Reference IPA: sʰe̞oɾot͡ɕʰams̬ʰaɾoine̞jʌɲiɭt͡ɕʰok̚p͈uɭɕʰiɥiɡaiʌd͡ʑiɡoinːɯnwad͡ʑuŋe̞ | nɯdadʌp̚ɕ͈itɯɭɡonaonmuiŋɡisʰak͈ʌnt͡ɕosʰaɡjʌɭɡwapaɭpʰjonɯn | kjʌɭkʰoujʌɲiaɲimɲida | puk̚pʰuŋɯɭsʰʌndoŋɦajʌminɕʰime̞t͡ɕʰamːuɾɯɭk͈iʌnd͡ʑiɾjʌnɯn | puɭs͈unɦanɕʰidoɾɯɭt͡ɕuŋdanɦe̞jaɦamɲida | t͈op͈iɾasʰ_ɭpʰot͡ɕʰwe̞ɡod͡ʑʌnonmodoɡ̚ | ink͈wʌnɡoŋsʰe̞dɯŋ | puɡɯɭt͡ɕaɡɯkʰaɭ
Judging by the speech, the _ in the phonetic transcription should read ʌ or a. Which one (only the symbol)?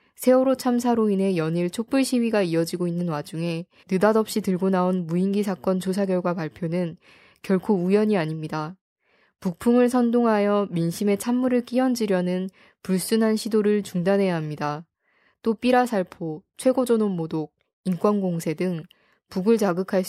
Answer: a